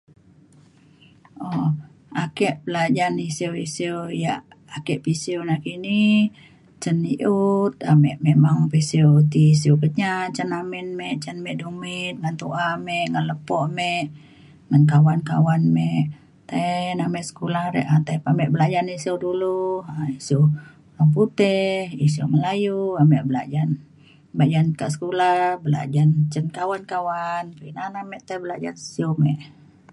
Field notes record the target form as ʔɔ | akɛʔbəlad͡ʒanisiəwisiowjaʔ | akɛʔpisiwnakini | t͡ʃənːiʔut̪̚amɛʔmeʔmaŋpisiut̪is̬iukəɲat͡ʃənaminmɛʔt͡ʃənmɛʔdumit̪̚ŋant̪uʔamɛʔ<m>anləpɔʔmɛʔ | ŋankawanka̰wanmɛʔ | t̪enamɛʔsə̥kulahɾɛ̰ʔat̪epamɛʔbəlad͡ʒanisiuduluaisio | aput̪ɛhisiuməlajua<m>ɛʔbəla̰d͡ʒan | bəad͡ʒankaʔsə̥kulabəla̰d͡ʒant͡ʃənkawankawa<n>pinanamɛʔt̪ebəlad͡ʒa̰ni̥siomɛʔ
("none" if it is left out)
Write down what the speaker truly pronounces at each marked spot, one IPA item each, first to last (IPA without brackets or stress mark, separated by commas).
ŋ, m, n